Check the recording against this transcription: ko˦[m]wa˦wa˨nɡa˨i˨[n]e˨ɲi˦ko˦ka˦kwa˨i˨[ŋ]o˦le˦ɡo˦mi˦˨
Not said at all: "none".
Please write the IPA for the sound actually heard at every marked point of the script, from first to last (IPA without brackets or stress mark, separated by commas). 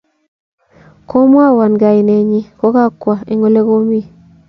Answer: m, n, ŋ